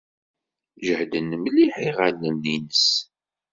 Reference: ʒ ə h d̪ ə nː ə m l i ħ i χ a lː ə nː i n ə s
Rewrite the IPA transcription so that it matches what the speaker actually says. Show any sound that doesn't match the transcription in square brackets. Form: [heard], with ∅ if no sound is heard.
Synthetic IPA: ʒ ə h d̪ ə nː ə m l i ħ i [ʁ] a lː ə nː i n ə s